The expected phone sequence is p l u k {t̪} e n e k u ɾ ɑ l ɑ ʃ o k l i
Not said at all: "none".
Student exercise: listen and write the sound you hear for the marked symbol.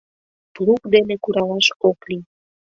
d̪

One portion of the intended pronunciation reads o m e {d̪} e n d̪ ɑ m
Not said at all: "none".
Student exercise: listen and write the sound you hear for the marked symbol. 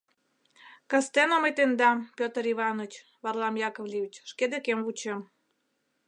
t̪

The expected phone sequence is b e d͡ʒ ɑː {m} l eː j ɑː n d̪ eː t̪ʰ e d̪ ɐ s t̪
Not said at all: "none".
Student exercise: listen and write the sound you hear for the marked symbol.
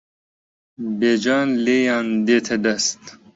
n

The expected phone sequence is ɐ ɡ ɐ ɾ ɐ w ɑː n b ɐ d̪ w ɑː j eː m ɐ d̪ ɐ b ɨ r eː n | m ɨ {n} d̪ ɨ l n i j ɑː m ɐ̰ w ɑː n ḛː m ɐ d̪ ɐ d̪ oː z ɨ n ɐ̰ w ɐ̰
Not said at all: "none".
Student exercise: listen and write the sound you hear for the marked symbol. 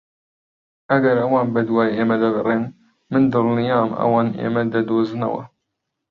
n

